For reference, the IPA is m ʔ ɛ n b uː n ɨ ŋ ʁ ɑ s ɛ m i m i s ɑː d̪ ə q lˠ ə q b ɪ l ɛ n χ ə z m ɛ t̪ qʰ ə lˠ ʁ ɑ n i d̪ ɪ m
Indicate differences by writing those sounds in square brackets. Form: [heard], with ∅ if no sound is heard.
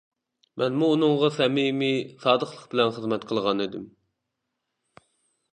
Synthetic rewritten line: m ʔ ɛ n [m] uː n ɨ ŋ ʁ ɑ s ɛ m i m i s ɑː d̪ ə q lˠ ə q b ɪ l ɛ n χ ə z m ɛ t̪ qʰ ə lˠ ʁ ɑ n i d̪ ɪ m